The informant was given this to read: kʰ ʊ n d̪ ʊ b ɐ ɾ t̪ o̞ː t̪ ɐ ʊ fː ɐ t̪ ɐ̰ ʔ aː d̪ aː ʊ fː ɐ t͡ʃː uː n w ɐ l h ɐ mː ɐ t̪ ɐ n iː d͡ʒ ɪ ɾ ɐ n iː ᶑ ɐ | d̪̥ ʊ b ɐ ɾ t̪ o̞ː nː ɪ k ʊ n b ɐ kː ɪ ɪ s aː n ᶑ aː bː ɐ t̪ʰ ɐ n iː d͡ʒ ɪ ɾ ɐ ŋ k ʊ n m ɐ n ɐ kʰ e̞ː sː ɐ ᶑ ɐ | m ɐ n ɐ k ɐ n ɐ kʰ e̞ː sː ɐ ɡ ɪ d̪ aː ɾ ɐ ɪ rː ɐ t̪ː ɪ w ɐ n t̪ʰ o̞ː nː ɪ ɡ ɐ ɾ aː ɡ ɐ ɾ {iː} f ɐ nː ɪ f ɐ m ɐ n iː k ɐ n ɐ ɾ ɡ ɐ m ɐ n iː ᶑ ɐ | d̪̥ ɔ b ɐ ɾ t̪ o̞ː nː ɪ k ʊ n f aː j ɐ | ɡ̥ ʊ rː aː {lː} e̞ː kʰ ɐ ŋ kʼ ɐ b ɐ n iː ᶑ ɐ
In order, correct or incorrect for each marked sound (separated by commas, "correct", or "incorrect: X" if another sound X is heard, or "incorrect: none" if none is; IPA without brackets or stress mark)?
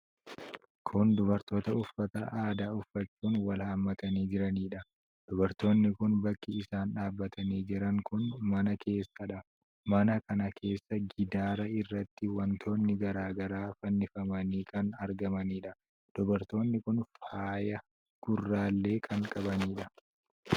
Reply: incorrect: aː, correct